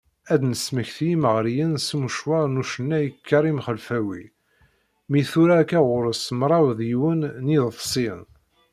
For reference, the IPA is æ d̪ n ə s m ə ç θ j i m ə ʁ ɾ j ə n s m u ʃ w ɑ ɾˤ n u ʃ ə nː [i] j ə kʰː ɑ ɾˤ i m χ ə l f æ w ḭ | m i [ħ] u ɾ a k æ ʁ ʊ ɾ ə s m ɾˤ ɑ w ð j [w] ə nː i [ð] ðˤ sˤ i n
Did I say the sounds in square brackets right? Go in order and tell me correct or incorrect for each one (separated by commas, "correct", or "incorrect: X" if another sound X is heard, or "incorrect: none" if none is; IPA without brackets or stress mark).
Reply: incorrect: æ, incorrect: θ, correct, correct